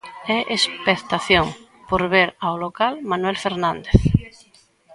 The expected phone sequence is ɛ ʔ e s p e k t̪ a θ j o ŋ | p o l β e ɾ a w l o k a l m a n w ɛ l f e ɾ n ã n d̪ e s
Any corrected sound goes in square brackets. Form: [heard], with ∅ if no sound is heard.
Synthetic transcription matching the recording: ɛ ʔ e s p e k t̪ a θ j o ŋ | p o [ɾ] β e ɾ a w l o k a l m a n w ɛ l f e ɾ n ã n d̪ e [θ]